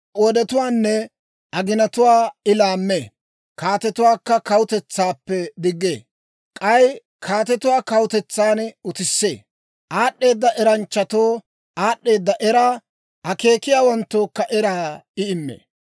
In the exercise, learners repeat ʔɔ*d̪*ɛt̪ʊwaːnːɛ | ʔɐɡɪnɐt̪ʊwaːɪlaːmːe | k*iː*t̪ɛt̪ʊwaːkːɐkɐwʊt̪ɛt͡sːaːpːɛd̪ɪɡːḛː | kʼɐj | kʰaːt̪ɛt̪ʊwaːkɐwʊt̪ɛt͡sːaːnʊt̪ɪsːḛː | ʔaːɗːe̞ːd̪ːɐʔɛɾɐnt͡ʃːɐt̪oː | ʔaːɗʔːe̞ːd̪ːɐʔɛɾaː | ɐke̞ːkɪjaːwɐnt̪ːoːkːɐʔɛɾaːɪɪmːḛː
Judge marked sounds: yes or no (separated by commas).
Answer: yes, no